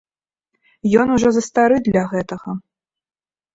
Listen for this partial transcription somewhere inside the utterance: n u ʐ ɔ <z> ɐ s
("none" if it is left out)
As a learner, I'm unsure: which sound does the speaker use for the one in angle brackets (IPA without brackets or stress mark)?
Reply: z